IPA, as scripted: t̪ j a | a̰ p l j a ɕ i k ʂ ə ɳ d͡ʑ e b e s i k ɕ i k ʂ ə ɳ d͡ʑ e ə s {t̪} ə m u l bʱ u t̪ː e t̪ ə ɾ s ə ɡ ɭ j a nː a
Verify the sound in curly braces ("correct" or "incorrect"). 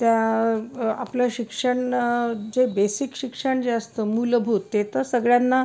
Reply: correct